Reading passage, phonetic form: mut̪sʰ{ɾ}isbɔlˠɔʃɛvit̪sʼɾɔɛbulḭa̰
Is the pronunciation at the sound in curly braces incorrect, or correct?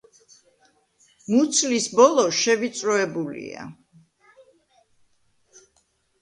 incorrect